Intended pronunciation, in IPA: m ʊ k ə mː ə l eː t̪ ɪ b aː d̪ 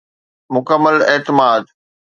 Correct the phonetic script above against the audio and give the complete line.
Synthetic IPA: m ʊ k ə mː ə l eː t̪ ɪ m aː d̪